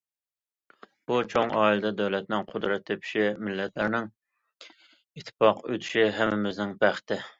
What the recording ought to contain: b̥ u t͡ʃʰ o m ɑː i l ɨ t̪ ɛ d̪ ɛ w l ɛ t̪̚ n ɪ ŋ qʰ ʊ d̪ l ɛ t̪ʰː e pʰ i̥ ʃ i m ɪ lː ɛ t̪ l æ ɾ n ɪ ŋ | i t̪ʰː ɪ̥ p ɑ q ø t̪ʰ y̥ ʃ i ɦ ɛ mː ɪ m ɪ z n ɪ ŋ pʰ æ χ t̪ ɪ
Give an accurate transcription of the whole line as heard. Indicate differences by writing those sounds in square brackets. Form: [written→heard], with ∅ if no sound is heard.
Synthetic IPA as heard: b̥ u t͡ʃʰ o [m→ŋ] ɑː i l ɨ [t̪→d̪] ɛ d̪ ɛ w l ɛ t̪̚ n ɪ ŋ qʰ ʊ d̪ [l→ɾ] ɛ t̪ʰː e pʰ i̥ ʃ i m ɪ lː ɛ t̪ l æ ɾ n ɪ ŋ | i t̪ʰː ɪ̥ p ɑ q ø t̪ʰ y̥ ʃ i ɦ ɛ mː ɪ m ɪ z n ɪ ŋ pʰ æ χ t̪ ɪ